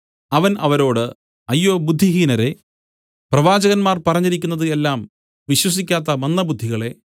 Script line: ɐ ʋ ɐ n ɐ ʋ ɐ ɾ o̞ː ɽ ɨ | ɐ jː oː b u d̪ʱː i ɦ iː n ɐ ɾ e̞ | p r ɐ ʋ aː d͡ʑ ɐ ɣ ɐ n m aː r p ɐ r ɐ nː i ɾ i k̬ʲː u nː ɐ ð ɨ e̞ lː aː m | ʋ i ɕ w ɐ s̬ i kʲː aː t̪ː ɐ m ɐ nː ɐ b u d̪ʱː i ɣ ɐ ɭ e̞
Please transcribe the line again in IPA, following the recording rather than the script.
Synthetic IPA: ɐ ʋ ɐ n ɐ ʋ ɐ ɾ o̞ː ɽ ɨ | ɐ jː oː b u d̪ʱː i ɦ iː n ɐ ɾ e̞ | p r ɐ ʋ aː d͡ʑ ɐ ɣ ɐ n m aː r p ɐ r ɐ ɲː i ɾ i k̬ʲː u nː ɐ ð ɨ e̞ lː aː m | ʋ i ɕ w ɐ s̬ i kʲː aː t̪ː ɐ m ɐ nː ɐ b u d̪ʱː i ɣ ɐ ɭ e̞